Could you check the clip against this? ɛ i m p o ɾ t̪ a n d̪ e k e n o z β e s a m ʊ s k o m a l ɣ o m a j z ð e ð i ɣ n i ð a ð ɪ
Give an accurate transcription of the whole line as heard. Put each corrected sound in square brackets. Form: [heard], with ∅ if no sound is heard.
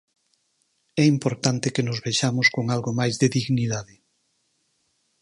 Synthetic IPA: ɛ i m p o ɾ t̪ a n [t̪] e k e n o z β e [ʃ] a m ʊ s k o [ŋ] a l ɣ o m a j z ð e ð i ɣ n i ð a ð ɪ